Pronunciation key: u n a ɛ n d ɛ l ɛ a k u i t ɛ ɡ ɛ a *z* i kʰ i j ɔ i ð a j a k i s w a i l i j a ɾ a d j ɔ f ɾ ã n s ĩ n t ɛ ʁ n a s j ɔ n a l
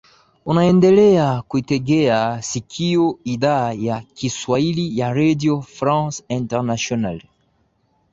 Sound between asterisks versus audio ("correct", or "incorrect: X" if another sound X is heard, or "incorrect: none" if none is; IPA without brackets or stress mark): incorrect: s